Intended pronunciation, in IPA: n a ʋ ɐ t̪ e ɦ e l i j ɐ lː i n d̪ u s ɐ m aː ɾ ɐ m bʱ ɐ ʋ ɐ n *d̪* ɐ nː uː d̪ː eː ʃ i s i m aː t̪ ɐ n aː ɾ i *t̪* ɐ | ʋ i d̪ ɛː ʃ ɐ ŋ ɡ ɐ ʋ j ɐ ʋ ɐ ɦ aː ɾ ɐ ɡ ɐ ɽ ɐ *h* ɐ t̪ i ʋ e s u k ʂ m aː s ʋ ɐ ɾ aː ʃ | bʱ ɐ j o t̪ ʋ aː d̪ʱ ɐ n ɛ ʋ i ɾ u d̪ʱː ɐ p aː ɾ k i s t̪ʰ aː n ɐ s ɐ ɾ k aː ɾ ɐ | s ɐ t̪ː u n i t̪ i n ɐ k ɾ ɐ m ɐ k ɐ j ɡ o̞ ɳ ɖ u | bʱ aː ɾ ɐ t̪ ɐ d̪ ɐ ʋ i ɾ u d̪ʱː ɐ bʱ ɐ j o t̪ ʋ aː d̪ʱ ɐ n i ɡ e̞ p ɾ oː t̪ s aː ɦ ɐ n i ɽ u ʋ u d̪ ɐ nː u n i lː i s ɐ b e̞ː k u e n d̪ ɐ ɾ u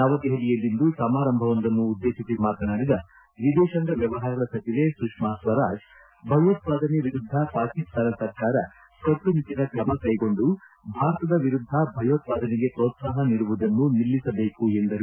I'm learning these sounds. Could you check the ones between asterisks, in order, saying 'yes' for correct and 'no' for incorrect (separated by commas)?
yes, no, no